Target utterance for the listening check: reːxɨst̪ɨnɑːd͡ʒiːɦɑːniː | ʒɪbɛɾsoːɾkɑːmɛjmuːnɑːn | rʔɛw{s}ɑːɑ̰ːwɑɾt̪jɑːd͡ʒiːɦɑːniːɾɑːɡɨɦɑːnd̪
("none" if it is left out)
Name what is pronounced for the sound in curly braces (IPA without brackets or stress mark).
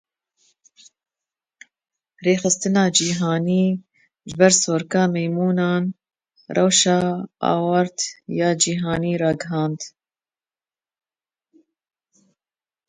ʃ